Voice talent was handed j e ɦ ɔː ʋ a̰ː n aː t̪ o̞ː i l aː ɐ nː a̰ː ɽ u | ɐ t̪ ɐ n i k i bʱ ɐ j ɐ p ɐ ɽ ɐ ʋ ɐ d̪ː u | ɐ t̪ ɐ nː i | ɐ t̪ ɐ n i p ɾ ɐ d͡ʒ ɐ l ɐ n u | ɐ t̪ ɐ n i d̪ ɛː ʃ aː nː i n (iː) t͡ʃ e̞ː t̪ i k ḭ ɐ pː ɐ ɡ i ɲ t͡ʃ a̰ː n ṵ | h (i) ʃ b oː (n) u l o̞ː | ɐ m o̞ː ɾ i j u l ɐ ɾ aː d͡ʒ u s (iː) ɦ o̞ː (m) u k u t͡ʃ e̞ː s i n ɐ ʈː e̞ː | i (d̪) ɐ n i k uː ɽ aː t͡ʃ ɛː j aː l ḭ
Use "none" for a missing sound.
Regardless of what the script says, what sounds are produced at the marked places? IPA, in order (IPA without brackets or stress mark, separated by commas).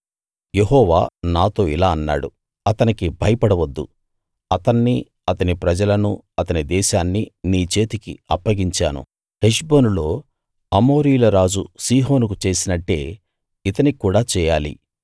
iː, e, n, iː, n, t̪